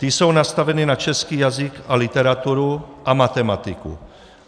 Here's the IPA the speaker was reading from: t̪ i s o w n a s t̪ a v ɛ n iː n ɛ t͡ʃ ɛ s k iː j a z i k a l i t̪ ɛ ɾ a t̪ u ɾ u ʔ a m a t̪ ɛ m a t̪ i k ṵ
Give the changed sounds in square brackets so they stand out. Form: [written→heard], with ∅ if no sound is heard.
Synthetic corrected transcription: t̪ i s o w n a s t̪ a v ɛ n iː n [ɛ→a] t͡ʃ ɛ s k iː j a z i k a l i t̪ ɛ ɾ a t̪ u ɾ u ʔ a m a t̪ ɛ m a t̪ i k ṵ